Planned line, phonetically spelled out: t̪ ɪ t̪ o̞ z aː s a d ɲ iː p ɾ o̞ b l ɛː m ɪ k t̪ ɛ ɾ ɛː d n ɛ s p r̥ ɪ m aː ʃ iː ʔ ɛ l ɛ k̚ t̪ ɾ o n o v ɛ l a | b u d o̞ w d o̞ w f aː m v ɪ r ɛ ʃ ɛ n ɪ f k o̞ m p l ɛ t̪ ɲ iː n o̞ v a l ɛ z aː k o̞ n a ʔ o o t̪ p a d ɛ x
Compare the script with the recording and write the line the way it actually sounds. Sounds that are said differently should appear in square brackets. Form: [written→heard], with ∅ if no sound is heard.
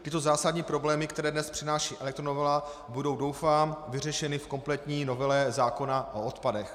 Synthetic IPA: t̪ ɪ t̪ o̞ z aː s a d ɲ iː p ɾ o̞ b l ɛː m ɪ k t̪ ɛ ɾ ɛː d n ɛ s p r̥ ɪ [m→n] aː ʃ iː ʔ ɛ l ɛ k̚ t̪ ɾ o n o v ɛ l a | b u d o̞ w d o̞ w f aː m v ɪ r ɛ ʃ ɛ n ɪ f k o̞ m p l ɛ t̪ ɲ iː n o̞ v [a→ɛ] l ɛ z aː k o̞ n a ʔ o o t̪ p a d ɛ x

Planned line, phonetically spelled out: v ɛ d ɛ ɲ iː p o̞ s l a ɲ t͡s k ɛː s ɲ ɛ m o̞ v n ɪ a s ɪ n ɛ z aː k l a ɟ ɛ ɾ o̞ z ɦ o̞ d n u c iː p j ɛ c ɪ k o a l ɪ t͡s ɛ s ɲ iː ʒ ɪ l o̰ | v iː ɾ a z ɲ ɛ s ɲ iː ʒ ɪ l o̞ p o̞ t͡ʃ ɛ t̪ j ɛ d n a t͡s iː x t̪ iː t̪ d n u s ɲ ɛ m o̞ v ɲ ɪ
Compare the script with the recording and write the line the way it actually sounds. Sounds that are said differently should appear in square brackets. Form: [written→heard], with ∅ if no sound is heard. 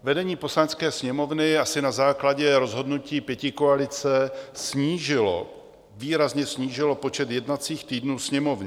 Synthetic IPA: v ɛ d ɛ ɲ iː p o̞ s l a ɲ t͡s k ɛː s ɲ ɛ m o̞ v n ɪ a s ɪ n [ɛ→a] z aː k l a ɟ ɛ ɾ o̞ z ɦ o̞ d n u c iː p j ɛ c ɪ k o a l ɪ t͡s ɛ s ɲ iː ʒ ɪ l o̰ | v iː ɾ a z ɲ ɛ s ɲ iː ʒ ɪ l o̞ p o̞ t͡ʃ ɛ t̪ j ɛ d n a t͡s iː x t̪ iː [t̪→∅] d n [u→uː] s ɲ ɛ m o̞ v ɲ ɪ

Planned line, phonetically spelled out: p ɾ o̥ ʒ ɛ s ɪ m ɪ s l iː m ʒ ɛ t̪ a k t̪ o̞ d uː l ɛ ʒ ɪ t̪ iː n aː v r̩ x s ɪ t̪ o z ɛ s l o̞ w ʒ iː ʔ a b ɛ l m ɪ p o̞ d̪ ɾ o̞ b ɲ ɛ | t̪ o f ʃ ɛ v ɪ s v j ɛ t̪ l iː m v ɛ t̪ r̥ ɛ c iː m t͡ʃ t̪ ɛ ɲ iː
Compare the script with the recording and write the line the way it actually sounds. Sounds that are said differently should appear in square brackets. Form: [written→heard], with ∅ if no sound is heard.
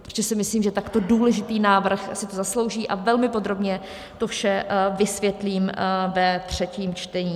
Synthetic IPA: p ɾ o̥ ʒ ɛ s ɪ m ɪ s l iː m ʒ ɛ t̪ a k t̪ o̞ d uː l ɛ ʒ ɪ t̪ iː n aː v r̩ x s ɪ t̪ o z [ɛ→a] s l o̞ w ʒ iː ʔ a [b→v] ɛ l m ɪ p o̞ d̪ ɾ o̞ b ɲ ɛ | t̪ o f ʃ ɛ v ɪ s v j ɛ t̪ l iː m v ɛ t̪ r̥ ɛ c iː m t͡ʃ t̪ ɛ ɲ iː

